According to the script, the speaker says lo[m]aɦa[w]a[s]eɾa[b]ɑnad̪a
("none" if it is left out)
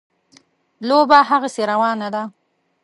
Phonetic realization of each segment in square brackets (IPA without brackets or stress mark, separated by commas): b, ɣ, s, w